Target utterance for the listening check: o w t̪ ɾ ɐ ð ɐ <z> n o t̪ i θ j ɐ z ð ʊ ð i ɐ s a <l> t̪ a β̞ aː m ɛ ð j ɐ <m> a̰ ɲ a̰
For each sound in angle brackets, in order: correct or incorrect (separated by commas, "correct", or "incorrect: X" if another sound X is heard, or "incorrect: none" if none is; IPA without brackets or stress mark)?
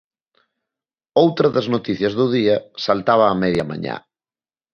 correct, correct, correct